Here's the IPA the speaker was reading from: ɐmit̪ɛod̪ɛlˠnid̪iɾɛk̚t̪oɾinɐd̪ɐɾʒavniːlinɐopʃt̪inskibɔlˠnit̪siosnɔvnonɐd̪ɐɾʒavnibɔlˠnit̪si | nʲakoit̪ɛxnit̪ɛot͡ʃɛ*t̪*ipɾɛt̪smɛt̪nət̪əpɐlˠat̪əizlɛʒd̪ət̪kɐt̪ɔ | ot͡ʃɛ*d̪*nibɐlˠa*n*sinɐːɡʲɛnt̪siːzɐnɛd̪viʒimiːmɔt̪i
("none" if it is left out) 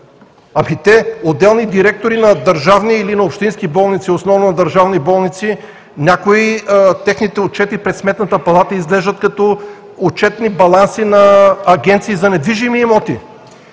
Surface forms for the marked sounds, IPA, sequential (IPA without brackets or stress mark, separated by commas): t̪, t̪, n